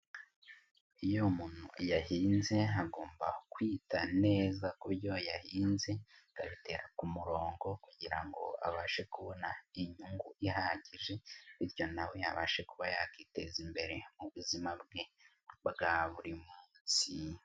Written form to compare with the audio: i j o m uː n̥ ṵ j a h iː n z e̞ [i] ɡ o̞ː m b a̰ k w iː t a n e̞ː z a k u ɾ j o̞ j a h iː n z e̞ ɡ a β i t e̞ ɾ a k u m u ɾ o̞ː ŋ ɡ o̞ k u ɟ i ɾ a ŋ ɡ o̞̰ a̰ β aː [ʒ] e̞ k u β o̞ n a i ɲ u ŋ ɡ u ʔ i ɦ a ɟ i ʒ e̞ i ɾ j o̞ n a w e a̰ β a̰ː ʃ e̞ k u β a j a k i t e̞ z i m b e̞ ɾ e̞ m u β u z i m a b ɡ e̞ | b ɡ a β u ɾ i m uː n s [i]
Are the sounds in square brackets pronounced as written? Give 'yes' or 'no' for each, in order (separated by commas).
no, no, yes